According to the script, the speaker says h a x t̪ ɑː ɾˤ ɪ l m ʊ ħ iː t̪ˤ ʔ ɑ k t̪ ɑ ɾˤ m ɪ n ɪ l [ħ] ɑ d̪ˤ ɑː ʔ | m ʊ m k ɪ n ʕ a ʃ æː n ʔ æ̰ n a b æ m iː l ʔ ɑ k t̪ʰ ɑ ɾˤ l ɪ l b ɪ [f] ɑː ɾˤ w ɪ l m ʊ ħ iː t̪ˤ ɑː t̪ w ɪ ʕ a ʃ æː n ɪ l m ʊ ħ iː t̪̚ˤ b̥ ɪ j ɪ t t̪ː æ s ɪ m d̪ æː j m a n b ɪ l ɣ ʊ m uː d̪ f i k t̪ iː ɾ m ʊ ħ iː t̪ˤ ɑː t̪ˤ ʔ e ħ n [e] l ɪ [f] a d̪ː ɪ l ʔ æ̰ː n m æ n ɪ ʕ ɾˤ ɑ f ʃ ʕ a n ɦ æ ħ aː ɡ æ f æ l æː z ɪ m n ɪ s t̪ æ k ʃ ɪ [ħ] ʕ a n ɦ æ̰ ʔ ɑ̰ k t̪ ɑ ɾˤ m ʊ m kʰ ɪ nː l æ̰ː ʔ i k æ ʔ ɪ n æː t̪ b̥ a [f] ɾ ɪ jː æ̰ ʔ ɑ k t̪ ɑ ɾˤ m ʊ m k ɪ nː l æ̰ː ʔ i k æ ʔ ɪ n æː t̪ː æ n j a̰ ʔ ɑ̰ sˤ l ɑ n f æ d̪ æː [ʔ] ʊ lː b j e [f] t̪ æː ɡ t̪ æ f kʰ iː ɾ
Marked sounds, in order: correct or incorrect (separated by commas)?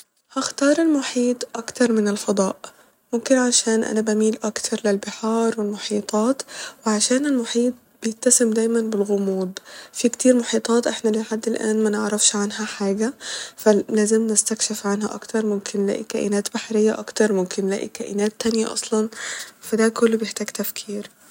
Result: incorrect, incorrect, incorrect, incorrect, incorrect, incorrect, incorrect, incorrect